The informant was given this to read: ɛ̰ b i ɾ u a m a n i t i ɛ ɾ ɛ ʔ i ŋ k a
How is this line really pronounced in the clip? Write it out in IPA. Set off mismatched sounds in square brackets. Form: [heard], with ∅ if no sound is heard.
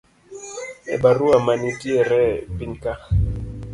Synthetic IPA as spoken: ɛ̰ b [a] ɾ u a m a n i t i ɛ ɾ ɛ [p] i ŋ k a